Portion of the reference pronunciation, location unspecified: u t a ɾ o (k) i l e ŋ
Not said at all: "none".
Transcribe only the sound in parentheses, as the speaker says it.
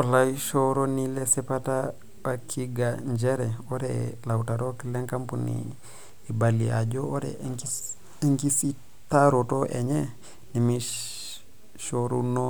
k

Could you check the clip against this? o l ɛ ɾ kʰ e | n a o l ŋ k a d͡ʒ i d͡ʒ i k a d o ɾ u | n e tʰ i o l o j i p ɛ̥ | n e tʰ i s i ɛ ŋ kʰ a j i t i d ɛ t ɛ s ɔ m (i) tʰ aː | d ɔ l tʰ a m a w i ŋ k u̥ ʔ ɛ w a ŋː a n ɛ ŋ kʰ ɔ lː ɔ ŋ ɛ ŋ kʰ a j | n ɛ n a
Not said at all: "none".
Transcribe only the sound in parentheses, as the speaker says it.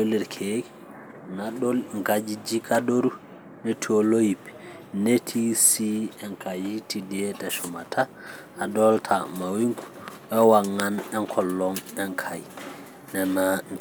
a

